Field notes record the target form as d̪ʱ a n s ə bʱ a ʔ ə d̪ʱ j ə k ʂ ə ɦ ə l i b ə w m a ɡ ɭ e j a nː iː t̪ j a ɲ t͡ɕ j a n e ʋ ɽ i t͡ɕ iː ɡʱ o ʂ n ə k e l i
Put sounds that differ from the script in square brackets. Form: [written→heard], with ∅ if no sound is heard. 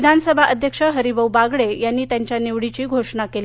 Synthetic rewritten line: d̪ʱ a n s ə bʱ a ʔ ə d̪ʱ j ə k ʂ ə ɦ ə [l→ɾ] i b ə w [m→b] a ɡ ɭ e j a nː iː t̪ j a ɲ t͡ɕ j a n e ʋ ɽ i t͡ɕ iː ɡʱ o ʂ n [ə→a] k e l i